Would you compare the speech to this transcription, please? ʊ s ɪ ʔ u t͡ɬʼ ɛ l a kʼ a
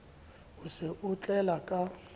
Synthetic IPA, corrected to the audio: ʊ s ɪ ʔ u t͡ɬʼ ɛ l a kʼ a